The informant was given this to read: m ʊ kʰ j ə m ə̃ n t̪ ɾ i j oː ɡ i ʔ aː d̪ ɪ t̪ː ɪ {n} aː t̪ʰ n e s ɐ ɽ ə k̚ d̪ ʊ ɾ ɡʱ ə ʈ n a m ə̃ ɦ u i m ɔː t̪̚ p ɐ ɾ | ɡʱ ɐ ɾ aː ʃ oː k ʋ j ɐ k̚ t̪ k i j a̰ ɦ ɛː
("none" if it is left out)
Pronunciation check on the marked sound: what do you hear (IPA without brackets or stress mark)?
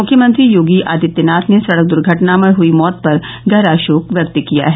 n